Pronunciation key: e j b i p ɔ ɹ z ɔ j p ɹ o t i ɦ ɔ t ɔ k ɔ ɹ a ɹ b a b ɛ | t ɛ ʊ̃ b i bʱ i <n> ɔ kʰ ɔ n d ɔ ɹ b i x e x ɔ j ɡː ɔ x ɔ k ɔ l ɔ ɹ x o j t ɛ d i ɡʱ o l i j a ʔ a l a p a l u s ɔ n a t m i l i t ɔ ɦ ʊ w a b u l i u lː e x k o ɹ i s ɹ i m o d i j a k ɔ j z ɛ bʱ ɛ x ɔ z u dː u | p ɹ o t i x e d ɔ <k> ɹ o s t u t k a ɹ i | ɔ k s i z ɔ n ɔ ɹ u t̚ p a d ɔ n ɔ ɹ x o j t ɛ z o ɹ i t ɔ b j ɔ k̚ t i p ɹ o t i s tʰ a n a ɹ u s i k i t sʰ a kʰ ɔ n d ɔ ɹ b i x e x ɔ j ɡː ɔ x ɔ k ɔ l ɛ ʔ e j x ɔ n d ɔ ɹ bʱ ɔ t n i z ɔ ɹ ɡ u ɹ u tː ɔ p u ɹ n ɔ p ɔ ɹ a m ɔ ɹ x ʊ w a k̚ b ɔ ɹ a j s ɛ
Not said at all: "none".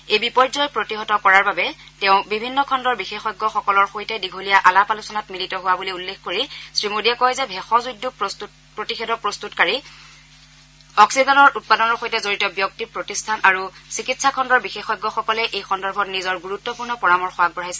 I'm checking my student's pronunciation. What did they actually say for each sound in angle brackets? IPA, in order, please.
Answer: nː, p

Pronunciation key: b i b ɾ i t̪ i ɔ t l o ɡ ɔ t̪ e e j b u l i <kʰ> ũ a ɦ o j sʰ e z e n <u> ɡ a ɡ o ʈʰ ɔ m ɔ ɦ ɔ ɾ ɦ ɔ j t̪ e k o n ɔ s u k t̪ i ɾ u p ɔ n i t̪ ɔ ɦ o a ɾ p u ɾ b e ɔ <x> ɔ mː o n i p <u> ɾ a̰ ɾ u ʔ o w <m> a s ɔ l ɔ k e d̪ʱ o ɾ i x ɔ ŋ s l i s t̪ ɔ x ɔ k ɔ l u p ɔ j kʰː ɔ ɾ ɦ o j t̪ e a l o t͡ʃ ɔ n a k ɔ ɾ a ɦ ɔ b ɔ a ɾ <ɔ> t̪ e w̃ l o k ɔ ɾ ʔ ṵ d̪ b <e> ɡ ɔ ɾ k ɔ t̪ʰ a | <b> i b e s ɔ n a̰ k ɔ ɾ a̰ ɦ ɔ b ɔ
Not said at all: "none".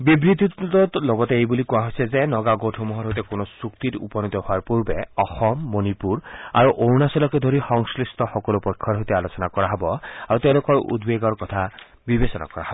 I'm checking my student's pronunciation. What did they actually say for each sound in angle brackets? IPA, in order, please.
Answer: k, ɔ, x, u, n, u, e, b

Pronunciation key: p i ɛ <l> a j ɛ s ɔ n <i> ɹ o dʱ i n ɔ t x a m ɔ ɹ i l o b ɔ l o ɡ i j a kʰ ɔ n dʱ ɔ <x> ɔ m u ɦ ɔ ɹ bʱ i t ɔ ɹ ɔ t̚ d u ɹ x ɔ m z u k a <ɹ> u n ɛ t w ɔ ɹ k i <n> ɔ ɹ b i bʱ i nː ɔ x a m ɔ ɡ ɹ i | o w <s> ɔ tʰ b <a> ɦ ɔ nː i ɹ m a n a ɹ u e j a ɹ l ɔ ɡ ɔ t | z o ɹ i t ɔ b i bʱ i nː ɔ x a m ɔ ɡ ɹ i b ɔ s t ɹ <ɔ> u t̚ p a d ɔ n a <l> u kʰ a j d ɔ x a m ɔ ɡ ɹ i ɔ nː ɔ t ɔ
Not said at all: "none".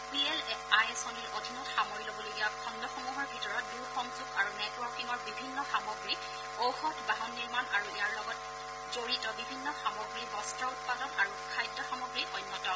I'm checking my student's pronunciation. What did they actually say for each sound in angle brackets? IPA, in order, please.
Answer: l, i, x, ɹ, ŋ, x, a, ɔ, ɹ

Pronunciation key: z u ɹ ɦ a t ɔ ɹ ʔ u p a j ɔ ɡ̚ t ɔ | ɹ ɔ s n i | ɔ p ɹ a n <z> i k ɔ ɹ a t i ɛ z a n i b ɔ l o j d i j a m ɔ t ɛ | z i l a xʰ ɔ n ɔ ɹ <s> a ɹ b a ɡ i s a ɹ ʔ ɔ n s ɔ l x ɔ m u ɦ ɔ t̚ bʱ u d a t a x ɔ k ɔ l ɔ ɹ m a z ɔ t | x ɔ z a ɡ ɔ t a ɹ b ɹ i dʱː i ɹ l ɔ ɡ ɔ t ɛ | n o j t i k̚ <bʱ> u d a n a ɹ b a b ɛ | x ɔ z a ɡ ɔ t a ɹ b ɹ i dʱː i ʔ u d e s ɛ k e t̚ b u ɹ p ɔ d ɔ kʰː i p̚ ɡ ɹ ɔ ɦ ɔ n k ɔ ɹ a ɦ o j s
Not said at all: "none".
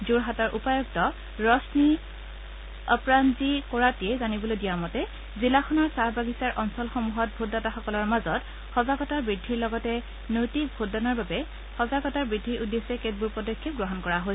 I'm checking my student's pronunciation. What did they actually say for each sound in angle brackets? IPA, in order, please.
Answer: z, s, bʱ

